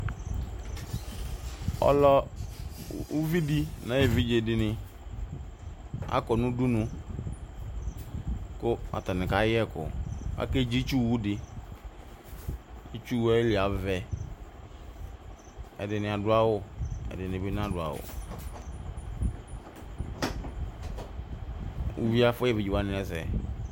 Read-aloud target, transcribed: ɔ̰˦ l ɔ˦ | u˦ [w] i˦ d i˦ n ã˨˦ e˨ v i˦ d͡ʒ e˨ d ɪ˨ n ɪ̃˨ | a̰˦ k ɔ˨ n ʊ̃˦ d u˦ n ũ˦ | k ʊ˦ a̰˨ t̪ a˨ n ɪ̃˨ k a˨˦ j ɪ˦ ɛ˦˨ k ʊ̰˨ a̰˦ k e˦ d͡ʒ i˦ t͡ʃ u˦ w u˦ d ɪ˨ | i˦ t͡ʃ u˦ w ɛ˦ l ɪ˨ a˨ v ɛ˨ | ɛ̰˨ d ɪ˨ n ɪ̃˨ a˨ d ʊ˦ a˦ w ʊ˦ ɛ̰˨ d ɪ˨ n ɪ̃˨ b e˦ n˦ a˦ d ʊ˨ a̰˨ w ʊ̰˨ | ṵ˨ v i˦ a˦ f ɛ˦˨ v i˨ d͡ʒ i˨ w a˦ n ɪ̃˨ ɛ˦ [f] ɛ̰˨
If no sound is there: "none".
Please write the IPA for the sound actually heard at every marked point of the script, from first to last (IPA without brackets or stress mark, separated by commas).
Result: v, s